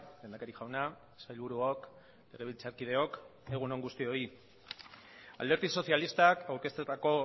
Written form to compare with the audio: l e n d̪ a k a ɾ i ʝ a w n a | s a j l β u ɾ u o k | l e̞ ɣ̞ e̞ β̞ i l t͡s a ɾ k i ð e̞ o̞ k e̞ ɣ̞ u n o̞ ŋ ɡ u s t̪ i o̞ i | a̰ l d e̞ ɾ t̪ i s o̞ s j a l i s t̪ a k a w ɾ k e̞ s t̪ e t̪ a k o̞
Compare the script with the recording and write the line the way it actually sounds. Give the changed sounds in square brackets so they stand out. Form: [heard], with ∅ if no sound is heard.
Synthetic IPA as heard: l e n d̪ a k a ɾ i ʝ a w n a | s a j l β u ɾ u o k | l e̞ ɣ̞ e̞ β̞ i l t͡s a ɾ k i ð e̞ o̞ k e̞ ɣ̞ u n o̞ ŋ ɡ u s t̪ i o̞ i | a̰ l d e̞ ɾ t̪ i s o̞ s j a l i s t̪ a k a w ɾ k e̞ s t̪ e t̪ a k o̞